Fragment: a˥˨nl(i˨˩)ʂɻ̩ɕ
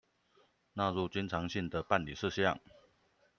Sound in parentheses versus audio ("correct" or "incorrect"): correct